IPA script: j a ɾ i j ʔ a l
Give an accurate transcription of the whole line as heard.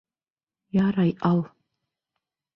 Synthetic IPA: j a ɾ a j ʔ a l